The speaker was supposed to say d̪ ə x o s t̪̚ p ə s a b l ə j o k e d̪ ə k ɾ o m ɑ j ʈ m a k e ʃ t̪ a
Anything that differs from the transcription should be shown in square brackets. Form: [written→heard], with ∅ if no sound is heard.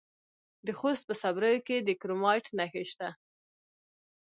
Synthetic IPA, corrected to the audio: d̪ ə x o s t̪̚ p ə s a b [l→ɾ] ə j o k e d̪ ə k ɾ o m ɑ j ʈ [m→n] a [k→x] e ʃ t̪ a